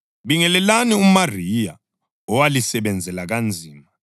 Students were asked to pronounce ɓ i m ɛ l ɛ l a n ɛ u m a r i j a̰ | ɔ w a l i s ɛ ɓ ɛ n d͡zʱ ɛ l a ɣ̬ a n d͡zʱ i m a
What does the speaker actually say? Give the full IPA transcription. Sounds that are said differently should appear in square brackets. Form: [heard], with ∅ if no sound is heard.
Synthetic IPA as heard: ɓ i [ŋ] ɛ l ɛ l a n [i] u m a r i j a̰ | ɔ w a l i s ɛ ɓ ɛ n d͡zʱ ɛ l a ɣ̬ a n d͡zʱ [iː] m a